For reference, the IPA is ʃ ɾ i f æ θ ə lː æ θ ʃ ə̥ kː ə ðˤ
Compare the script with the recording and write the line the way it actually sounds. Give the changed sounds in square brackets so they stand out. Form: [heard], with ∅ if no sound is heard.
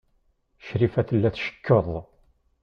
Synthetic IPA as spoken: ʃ ɾ i f æ θ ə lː æ θ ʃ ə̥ kː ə ðˤ